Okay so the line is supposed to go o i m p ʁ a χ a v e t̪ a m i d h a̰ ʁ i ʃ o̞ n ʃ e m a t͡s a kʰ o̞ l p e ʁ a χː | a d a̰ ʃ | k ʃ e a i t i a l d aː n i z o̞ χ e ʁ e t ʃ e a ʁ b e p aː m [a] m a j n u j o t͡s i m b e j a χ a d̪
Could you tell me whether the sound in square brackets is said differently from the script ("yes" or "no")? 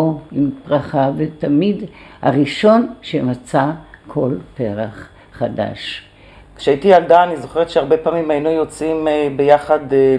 yes